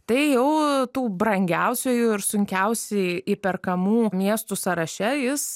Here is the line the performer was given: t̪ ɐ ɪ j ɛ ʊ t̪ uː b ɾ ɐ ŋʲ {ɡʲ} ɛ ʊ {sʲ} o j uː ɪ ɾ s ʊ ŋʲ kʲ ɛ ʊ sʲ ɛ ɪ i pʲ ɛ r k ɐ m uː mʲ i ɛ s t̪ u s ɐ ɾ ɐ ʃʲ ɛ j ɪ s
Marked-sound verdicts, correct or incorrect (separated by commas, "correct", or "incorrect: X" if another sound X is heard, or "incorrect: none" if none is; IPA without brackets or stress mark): correct, correct